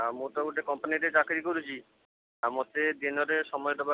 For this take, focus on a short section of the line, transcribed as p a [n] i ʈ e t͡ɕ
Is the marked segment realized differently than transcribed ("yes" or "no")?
no